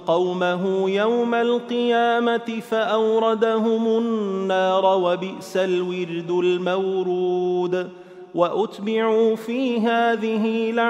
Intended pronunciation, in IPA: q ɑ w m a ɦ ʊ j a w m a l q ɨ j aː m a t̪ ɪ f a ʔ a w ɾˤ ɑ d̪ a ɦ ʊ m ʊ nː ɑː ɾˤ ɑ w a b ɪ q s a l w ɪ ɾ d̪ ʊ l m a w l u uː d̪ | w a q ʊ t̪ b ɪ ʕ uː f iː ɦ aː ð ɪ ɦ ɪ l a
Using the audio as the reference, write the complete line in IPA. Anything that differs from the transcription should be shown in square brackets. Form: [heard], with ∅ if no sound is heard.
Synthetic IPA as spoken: q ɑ w m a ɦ ʊ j a w m a l q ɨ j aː m a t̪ ɪ f a ʔ a w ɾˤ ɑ d̪ a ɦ ʊ m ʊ nː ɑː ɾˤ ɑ w a b ɪ [ʔ] s a l w ɪ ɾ d̪ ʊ l m a w [ɾ] u uː d̪ | w a [ʔ] ʊ t̪ b ɪ ʕ uː f iː ɦ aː ð ɪ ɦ ɪ l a